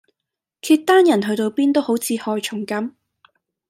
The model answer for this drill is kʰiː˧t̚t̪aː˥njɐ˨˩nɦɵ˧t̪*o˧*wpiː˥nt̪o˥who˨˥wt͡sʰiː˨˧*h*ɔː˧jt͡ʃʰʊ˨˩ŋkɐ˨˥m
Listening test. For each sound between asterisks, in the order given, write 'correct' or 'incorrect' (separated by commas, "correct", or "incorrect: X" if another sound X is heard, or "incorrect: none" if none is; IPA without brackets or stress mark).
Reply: correct, correct